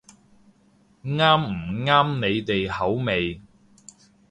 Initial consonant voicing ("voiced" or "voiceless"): voiced